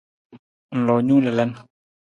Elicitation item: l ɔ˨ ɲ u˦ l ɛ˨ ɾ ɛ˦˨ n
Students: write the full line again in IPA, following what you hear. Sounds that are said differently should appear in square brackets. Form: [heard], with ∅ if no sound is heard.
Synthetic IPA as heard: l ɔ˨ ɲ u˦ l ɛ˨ [l] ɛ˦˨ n